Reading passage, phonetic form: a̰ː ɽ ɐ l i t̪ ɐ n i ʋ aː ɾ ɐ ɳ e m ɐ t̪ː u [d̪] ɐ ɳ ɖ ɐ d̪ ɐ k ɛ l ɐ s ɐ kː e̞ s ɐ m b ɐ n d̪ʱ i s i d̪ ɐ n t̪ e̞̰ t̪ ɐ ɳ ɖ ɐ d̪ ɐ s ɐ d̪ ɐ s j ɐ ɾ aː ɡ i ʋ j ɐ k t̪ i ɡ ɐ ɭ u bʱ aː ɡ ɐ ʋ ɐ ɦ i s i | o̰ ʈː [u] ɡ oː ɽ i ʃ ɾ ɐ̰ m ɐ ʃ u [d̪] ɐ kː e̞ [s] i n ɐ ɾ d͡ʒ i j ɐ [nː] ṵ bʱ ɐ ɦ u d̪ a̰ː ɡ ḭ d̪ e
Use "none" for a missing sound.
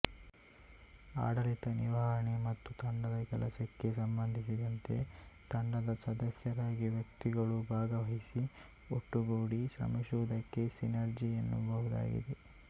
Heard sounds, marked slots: t̪, u, d̪, s, nː

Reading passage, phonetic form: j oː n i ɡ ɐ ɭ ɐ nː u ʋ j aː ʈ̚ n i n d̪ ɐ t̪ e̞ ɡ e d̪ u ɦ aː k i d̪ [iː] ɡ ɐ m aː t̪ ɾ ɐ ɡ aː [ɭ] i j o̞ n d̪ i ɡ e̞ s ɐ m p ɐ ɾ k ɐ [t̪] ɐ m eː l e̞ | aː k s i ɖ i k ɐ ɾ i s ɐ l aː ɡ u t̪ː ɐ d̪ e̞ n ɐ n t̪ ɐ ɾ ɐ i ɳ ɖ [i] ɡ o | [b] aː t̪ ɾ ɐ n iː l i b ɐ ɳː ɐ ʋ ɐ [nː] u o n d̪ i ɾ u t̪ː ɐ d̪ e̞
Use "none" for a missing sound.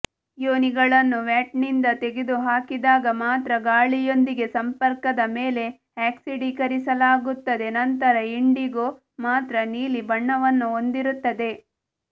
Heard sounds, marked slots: aː, ɭ, d̪, i, m, nː

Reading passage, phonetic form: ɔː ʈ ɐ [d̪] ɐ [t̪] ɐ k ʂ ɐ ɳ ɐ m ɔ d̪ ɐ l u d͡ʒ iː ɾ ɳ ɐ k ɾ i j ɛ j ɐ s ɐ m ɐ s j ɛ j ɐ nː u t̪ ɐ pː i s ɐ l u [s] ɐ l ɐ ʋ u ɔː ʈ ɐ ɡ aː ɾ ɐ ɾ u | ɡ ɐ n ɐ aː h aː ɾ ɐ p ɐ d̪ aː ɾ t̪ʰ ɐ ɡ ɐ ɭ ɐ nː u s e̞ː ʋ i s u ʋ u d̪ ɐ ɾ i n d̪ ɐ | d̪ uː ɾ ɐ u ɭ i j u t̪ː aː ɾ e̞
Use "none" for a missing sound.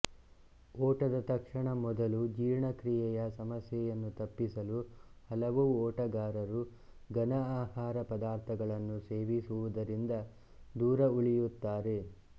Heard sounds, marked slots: d̪, t̪, h

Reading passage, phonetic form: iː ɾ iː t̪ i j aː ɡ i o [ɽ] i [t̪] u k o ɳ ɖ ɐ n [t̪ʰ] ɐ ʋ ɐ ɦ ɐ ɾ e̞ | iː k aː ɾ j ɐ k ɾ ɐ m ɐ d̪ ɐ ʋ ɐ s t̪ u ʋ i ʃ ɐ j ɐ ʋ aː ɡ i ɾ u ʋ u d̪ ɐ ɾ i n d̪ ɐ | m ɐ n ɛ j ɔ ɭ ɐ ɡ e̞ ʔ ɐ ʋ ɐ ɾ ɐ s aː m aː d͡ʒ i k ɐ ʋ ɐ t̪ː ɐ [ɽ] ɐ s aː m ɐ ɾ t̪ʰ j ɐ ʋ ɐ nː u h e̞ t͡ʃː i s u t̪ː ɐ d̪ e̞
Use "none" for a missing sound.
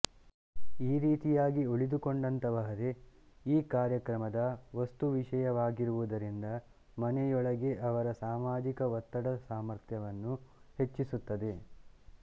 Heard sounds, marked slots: ɭ, d̪, t̪, ɽ

